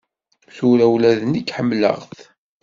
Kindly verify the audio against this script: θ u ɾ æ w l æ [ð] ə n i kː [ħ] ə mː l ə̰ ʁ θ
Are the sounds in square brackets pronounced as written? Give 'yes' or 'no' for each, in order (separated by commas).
yes, yes